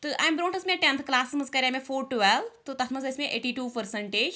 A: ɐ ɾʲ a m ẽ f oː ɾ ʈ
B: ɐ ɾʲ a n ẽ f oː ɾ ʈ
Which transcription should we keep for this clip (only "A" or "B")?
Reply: A